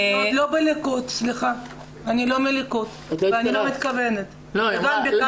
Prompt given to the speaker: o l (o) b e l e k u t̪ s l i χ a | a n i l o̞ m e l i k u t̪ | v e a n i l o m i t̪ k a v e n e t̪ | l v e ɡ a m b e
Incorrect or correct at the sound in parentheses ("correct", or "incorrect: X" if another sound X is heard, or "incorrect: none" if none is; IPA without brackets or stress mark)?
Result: correct